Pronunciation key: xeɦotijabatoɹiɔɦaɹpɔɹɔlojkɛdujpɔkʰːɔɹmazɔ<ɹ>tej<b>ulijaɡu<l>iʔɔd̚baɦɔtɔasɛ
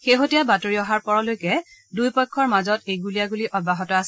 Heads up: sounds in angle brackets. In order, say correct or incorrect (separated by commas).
incorrect, incorrect, correct